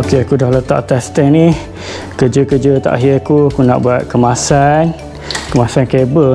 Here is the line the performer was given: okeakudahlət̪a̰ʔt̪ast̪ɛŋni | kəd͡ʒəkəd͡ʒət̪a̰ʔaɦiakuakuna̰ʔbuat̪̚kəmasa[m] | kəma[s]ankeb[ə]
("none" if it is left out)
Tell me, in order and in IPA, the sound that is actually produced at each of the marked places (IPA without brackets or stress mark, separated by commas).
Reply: n, s, ə